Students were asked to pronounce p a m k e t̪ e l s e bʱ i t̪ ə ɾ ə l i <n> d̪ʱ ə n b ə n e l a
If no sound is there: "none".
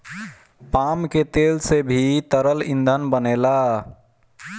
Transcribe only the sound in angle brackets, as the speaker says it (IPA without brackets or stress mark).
n